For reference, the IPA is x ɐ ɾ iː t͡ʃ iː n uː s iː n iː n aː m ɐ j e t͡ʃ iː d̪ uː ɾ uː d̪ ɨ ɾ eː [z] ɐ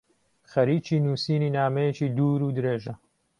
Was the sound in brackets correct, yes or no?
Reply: no